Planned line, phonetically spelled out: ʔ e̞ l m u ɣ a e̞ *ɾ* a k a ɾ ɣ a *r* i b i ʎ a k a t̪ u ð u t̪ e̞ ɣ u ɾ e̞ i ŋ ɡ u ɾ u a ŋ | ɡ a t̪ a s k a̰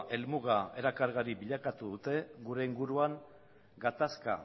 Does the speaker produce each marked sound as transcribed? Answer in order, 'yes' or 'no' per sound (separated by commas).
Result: yes, no